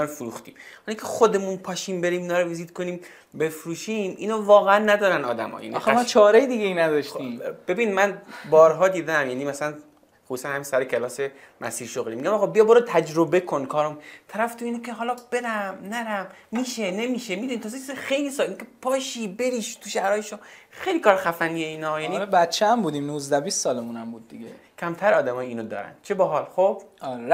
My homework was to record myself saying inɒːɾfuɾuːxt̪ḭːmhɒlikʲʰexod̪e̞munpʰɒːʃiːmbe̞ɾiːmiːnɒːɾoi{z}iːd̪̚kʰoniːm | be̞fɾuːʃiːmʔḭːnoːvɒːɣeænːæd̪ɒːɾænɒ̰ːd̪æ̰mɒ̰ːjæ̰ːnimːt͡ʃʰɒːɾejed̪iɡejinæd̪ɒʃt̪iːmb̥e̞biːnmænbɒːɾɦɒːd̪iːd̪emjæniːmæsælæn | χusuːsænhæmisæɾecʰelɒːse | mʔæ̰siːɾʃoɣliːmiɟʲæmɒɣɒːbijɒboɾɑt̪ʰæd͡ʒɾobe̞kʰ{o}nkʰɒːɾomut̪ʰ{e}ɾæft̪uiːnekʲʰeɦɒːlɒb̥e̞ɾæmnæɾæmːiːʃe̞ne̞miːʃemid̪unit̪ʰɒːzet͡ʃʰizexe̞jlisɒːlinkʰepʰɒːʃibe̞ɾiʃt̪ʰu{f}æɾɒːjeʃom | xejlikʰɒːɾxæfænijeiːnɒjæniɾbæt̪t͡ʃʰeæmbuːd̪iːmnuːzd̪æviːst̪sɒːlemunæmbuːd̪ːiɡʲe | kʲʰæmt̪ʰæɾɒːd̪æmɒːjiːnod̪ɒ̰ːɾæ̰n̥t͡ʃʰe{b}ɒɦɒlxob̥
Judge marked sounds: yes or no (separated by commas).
yes, yes, no, no, yes